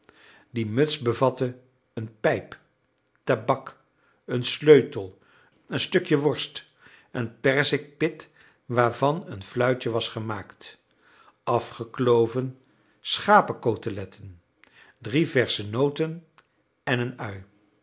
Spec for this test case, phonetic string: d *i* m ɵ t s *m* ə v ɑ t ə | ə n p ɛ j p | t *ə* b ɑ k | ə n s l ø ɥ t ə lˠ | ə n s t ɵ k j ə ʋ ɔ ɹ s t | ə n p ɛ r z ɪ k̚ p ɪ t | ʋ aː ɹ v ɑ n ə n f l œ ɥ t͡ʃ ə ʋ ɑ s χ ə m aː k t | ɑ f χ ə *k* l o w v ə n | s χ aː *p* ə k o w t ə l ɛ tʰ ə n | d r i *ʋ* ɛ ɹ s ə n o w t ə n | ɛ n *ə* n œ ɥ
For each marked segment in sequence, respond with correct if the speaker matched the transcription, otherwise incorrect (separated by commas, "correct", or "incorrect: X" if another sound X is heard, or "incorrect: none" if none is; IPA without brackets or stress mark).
correct, incorrect: b, incorrect: a, correct, correct, incorrect: v, correct